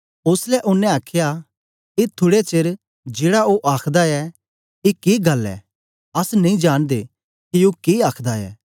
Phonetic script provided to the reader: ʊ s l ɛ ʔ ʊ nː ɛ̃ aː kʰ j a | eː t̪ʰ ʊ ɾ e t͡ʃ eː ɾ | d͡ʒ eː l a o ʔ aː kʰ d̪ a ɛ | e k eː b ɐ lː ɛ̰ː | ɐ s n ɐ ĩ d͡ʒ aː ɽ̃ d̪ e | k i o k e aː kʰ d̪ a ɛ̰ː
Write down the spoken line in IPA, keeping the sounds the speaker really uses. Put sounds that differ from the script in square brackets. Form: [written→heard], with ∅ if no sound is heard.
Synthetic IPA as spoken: ʊ s l ɛ ʔ ʊ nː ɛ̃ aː kʰ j a | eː t̪ʰ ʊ [ɾ→ɽ] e t͡ʃ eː ɾ | d͡ʒ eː [l→ɽ] a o ʔ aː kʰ d̪ a ɛ | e k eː [b→ɡ] ɐ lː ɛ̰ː | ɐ s n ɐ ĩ d͡ʒ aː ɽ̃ d̪ e | k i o k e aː kʰ d̪ a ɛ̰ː